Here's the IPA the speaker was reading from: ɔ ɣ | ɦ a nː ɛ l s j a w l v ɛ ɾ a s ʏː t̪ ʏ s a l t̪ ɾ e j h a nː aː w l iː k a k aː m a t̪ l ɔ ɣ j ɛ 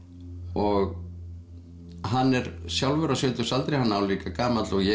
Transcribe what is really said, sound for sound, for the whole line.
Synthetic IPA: ɔ ɣ | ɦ a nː ɛ ɾ s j a w l v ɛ ɾ a s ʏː t̪ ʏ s a l t̪ ɾ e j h a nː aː w l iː k a k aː m a t̪ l ɔ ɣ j ɛ